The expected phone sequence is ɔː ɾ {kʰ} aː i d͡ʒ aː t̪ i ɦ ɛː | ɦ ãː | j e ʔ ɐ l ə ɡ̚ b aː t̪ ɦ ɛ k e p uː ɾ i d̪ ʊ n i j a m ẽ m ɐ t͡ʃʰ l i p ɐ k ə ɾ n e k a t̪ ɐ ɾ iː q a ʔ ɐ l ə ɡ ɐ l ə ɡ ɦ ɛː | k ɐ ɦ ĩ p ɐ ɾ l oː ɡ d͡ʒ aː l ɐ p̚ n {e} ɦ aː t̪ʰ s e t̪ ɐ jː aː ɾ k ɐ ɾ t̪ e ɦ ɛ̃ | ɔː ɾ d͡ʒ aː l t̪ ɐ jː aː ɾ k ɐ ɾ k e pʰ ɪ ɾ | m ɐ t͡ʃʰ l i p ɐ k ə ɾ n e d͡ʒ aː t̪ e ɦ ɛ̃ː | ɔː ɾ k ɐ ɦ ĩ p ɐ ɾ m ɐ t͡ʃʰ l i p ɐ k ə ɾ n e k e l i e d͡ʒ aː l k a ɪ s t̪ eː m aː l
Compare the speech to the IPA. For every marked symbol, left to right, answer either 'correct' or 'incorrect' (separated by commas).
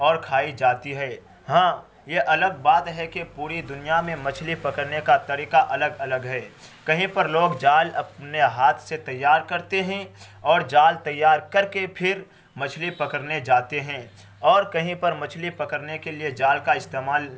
correct, correct